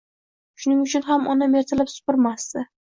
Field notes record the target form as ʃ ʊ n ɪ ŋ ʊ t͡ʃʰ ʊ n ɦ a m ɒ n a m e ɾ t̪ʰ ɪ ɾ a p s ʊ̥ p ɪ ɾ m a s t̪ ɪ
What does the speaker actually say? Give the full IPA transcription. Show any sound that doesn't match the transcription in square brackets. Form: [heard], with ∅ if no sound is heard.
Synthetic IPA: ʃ ʊ n ɪ ŋ ʊ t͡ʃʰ ʊ n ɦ a m ɒ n a m e ɾ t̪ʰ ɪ [l] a p s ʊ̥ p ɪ ɾ m a s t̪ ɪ